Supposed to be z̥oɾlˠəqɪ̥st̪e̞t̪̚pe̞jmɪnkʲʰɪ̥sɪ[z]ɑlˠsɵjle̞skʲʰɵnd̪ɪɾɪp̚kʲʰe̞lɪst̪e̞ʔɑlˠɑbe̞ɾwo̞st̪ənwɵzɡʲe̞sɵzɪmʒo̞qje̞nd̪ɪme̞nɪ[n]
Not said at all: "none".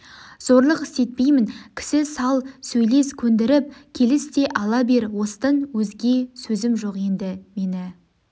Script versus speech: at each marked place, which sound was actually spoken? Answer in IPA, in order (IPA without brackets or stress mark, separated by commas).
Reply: s, none